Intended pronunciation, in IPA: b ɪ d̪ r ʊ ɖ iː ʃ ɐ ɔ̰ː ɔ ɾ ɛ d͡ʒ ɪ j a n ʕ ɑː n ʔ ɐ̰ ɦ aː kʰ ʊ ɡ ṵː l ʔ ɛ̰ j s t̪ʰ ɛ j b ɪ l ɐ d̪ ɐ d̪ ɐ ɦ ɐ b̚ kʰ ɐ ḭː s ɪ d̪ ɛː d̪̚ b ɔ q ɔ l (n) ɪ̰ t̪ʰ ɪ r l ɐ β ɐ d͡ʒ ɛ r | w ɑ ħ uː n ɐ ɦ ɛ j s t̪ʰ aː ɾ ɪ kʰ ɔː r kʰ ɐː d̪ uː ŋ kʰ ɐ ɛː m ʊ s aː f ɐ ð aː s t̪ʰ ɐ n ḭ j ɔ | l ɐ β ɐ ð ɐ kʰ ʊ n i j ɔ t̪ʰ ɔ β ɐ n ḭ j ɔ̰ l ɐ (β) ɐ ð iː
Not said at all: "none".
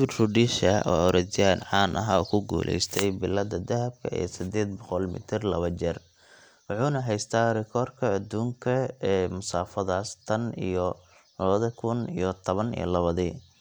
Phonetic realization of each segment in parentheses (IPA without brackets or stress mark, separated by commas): m, β